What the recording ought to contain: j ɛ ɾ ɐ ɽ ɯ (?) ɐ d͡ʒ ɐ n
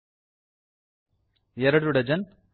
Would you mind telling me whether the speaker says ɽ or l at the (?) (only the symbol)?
ɽ